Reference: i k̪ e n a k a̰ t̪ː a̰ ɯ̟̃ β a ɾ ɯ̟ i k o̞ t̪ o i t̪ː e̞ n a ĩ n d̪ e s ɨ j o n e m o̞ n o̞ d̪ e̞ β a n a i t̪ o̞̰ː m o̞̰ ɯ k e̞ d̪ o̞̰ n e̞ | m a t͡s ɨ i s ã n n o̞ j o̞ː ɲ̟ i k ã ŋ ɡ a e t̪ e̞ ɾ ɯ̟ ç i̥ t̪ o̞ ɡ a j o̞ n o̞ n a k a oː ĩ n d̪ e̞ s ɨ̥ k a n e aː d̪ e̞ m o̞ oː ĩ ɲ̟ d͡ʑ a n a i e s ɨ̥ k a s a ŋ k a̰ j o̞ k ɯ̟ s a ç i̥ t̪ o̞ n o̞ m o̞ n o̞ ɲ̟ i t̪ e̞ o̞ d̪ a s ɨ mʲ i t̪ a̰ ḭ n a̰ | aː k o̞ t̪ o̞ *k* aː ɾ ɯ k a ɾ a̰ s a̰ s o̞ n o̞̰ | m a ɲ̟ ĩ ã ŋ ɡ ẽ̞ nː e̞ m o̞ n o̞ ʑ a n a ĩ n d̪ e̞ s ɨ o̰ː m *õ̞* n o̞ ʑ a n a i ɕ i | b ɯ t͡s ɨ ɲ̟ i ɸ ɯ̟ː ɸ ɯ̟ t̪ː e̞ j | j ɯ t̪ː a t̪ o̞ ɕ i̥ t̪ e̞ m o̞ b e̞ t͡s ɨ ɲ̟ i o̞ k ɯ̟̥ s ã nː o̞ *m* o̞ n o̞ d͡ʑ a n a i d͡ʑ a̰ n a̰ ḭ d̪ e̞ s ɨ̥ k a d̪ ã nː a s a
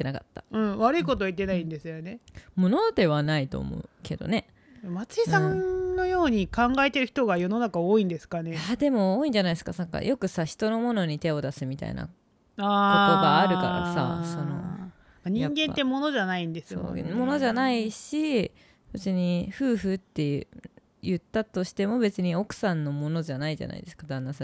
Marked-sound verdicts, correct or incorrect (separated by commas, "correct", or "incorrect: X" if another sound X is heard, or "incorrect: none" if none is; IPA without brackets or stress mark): incorrect: ɡ, incorrect: o̞, correct